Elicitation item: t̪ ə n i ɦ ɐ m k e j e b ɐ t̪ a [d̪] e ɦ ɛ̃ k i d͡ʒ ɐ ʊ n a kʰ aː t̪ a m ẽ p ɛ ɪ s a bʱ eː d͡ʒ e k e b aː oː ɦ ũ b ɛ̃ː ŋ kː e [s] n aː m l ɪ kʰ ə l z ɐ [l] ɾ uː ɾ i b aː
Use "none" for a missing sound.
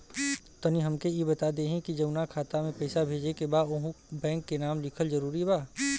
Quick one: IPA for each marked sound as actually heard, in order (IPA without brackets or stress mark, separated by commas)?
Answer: d̪, none, none